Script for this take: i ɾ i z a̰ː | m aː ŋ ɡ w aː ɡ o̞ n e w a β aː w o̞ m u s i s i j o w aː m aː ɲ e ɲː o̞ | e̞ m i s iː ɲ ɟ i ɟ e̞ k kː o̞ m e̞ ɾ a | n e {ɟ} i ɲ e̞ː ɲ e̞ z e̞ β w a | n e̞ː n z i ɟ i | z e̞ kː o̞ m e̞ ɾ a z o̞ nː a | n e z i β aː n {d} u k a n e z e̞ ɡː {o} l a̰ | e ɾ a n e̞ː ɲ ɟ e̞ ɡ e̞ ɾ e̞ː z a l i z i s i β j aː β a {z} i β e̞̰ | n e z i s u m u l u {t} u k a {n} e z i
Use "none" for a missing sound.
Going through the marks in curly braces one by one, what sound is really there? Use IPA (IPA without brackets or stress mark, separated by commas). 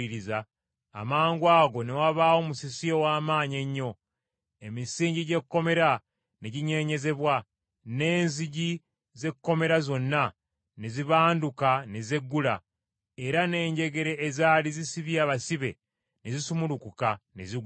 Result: ɟ, d, u, s, k, n